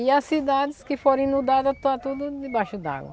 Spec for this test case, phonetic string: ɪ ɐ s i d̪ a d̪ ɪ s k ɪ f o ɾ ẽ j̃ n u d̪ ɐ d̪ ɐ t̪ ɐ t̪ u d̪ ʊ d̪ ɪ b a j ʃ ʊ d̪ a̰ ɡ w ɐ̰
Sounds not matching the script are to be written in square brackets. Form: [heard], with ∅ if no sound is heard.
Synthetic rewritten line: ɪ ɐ s i d̪ a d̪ ɪ s k ɪ f o ɾ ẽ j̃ n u d̪ [a] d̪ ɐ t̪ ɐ t̪ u d̪ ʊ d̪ ɪ b a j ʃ ʊ d̪ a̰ ɡ w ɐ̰